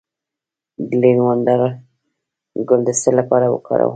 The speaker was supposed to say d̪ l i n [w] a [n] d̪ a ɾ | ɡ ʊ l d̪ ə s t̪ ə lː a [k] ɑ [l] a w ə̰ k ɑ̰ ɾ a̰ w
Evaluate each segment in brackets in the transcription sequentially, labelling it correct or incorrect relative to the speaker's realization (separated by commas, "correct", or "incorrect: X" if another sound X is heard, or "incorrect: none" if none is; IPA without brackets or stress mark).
correct, correct, incorrect: p, incorrect: ɾ